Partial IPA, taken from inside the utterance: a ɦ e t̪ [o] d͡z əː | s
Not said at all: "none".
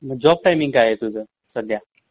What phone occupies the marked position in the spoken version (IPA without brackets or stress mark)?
u